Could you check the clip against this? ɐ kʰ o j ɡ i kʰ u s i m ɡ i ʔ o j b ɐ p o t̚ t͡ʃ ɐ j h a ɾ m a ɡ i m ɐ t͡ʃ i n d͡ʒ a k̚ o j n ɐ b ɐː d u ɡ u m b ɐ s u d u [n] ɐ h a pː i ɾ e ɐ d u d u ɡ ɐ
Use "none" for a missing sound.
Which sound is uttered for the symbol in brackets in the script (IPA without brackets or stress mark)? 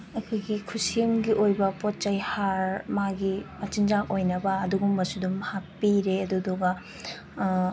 m